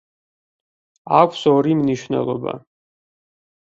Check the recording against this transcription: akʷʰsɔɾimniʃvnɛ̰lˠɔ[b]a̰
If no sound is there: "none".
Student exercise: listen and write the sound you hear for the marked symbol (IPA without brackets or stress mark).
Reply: b